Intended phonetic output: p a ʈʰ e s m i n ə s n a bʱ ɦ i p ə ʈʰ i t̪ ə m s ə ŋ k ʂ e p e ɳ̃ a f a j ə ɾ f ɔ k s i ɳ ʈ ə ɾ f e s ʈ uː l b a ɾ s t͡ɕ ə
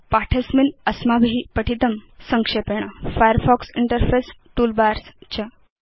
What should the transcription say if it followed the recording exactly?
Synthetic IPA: p a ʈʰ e s m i n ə s m a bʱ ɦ i p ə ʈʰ i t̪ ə m s ə ŋ k ʂ e p e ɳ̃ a f a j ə ɾ f ɔ k s i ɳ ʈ ə ɾ f e s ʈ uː l b a ɾ s t͡ɕ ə